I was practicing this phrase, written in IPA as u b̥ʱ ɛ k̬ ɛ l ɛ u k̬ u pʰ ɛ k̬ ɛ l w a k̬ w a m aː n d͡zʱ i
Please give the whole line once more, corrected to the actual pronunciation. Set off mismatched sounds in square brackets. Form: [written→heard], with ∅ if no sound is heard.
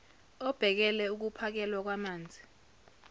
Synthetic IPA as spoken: [u→ɔ] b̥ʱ ɛ k̬ ɛ l ɛ u k̬ u pʰ [ɛ→a] k̬ ɛ l w a k̬ w a m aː n d͡zʱ i